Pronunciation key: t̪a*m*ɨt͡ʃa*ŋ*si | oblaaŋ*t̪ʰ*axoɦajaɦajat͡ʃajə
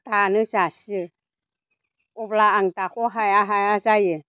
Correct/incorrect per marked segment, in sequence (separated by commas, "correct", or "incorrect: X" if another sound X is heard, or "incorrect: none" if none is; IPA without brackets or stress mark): incorrect: n, incorrect: none, incorrect: t̪